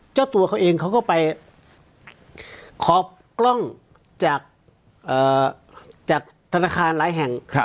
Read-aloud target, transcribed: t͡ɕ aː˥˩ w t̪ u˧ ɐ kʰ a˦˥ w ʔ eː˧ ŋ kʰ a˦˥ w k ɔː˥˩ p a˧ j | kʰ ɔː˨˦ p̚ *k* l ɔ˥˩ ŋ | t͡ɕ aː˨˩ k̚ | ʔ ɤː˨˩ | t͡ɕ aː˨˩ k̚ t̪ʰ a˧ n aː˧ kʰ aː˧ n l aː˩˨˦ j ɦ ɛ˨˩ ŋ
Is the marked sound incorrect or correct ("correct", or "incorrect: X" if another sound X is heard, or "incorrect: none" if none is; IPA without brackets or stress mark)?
correct